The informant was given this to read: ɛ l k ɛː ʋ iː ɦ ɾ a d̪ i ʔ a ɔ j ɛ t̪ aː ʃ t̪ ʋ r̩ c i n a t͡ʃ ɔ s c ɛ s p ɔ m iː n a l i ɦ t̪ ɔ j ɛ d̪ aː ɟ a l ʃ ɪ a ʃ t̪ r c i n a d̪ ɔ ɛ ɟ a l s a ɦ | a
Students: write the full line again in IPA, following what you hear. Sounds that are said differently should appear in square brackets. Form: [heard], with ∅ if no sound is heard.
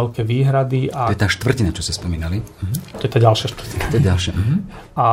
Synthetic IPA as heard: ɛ l k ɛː ʋ iː ɦ ɾ a d̪ i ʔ a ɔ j ɛ t̪ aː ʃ t̪ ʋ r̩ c i n a t͡ʃ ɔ s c ɛ s p ɔ m iː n a l i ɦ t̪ ɔ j ɛ [t̪] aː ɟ a l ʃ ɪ a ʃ t̪ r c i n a [t̪] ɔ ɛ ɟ a l [ʃ] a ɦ | a